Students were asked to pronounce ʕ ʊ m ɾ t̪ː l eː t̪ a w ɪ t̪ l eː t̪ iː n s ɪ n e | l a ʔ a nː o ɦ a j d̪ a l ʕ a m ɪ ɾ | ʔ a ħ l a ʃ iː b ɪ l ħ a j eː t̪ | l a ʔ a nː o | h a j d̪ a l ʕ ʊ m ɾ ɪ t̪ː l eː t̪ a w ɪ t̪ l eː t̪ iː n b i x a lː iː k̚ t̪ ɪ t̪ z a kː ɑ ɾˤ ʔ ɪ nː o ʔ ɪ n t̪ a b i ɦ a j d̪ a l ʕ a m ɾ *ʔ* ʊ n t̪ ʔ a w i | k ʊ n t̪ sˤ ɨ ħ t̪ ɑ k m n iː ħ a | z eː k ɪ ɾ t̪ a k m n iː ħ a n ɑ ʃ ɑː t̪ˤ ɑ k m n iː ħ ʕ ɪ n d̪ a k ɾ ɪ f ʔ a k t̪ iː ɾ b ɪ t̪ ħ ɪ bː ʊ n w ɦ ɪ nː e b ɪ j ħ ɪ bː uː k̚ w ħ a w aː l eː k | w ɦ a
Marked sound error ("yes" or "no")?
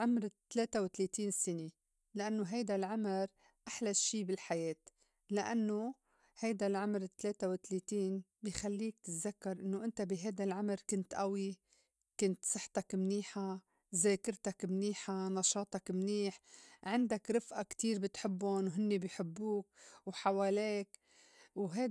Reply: yes